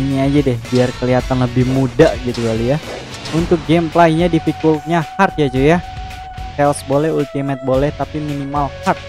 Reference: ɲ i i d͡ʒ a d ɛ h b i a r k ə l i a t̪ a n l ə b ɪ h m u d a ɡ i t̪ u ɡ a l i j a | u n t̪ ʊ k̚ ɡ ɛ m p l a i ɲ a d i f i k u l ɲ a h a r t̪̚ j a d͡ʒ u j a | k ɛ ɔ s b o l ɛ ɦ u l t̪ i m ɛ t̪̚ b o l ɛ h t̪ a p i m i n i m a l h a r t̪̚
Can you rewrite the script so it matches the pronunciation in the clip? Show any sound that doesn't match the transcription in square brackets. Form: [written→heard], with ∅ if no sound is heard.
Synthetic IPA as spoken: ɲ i [i→a] d͡ʒ a d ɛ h b i a r k ə l i a t̪ a n l ə b ɪ h m u d a ɡ i t̪ u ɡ a l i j a | u n t̪ ʊ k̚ ɡ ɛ m p l a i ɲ a d i f i k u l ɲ a h a r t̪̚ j a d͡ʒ u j a | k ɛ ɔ s b o l ɛ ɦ u l t̪ i m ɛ t̪̚ b o l ɛ h t̪ a p i m i n i m a l h a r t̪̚